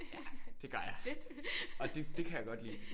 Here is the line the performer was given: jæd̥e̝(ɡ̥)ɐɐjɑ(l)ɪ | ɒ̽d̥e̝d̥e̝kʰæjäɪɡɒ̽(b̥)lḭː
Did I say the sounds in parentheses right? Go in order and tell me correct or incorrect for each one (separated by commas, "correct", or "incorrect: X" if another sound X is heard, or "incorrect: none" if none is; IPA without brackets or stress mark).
correct, incorrect: none, incorrect: d̥